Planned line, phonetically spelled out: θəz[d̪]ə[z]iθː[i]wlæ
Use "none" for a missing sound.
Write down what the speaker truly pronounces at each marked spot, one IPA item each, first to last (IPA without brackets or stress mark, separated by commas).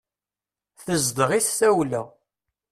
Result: d̪, ʁ, æ